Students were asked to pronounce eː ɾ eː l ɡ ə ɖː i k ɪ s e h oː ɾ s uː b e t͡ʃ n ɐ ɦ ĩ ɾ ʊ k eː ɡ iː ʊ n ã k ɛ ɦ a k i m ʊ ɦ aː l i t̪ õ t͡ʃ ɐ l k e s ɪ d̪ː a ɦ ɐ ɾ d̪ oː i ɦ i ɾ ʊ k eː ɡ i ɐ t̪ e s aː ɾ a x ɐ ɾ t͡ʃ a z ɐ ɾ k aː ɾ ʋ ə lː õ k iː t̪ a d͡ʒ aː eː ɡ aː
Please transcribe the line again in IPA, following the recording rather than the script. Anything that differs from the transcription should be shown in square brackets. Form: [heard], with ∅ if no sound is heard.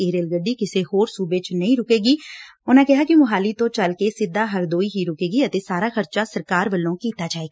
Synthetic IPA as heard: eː ɾ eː l ɡ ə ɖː i k ɪ s e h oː ɾ s uː b e t͡ʃ n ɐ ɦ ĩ ɾ ʊ k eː ɡ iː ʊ n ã k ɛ ɦ a k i m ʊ ɦ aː l i t̪ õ t͡ʃ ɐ l k e s ɪ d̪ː a ɦ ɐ ɾ d̪ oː i ɦ i ɾ ʊ k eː ɡ i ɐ t̪ e s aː ɾ a x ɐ ɾ t͡ʃ a [s] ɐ ɾ k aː ɾ ʋ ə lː õ k iː t̪ a d͡ʒ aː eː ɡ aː